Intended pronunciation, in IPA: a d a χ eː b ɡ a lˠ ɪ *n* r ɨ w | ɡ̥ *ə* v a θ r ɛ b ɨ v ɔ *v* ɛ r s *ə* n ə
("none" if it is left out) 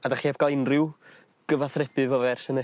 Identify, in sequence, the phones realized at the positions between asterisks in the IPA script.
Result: n, ə, v, ə

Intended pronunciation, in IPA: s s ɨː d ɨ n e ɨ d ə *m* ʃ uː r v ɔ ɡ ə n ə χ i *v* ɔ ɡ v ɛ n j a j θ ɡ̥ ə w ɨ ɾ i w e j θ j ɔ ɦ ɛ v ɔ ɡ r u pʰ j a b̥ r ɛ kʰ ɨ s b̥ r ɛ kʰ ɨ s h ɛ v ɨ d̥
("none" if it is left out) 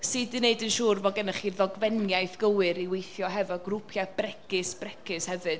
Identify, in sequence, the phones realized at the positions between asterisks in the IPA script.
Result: n, ð

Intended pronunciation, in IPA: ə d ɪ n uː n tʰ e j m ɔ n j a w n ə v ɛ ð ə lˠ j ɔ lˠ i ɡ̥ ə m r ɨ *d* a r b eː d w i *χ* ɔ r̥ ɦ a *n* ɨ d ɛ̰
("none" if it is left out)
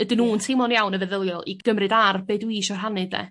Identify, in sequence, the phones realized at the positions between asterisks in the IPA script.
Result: d, ʃ, n

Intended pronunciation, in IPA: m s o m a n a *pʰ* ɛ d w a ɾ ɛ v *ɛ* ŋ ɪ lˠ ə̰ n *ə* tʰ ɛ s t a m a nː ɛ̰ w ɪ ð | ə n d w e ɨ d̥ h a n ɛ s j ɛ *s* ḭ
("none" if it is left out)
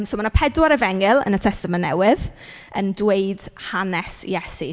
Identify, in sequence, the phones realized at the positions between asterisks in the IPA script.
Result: pʰ, ɛ, ə, s

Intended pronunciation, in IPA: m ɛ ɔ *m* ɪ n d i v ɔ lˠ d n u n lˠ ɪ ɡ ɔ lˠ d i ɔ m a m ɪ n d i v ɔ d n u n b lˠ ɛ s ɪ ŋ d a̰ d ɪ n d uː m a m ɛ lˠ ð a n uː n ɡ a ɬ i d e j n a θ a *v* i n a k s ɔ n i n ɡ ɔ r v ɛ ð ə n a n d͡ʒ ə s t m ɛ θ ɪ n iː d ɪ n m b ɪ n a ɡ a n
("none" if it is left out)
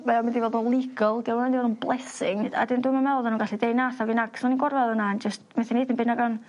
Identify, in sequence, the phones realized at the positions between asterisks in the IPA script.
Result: m, v

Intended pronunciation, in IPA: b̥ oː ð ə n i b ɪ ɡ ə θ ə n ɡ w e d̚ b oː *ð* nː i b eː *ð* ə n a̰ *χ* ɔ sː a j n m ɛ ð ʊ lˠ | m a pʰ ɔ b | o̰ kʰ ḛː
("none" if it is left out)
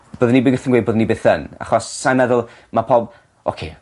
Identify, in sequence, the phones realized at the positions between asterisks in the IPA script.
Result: ð, θ, χ

